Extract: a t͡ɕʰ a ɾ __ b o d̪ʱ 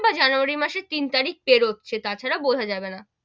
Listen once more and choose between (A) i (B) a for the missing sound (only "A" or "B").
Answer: B